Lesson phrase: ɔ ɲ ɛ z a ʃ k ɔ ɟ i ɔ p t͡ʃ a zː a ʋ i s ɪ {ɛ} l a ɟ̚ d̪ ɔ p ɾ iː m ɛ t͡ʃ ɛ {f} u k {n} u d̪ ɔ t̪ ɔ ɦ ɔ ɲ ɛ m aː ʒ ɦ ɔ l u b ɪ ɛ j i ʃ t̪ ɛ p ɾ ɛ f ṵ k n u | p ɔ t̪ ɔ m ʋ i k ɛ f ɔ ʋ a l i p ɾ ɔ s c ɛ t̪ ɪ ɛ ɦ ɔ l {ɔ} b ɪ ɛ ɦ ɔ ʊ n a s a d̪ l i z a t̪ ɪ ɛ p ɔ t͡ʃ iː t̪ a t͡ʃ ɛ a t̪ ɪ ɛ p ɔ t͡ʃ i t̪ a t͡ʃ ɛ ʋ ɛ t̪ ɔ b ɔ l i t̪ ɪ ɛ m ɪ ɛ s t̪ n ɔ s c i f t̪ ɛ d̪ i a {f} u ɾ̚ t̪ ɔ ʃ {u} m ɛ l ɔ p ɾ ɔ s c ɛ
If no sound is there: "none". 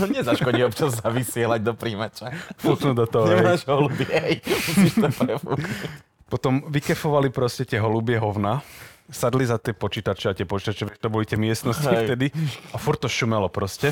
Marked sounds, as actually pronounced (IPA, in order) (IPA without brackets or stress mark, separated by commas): ɛ, f, n, u, f, u